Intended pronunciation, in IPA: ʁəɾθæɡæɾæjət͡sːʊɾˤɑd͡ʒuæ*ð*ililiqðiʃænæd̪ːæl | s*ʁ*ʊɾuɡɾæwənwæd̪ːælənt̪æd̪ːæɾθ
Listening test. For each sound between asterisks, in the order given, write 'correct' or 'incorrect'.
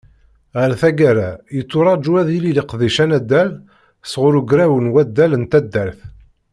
correct, correct

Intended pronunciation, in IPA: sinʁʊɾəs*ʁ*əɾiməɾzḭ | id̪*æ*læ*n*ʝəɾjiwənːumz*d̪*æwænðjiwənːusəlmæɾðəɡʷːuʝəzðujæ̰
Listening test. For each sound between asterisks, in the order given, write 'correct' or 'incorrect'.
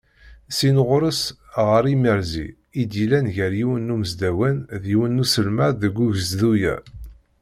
correct, incorrect, correct, correct

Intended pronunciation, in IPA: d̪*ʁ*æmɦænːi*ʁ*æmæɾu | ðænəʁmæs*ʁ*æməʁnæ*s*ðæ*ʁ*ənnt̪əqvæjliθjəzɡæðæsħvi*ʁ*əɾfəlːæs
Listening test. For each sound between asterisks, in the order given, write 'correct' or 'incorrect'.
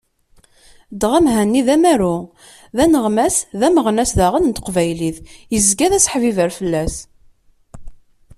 correct, incorrect, incorrect, correct, correct, incorrect

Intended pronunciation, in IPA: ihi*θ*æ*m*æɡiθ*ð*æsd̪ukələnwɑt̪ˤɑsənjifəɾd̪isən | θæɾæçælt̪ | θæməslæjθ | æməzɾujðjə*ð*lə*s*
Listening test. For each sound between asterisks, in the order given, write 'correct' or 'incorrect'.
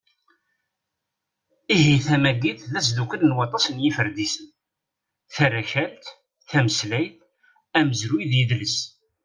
correct, correct, correct, correct, correct

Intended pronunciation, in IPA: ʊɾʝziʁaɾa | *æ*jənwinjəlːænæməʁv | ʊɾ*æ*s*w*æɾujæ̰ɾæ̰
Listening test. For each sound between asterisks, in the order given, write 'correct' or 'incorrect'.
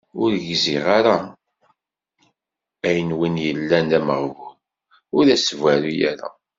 correct, correct, incorrect

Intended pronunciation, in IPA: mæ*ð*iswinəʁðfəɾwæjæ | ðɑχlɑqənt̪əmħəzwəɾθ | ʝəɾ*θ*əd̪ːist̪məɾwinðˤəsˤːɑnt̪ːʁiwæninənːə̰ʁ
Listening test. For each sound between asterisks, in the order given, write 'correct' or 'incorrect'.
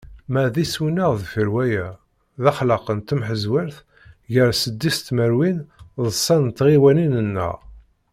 correct, incorrect

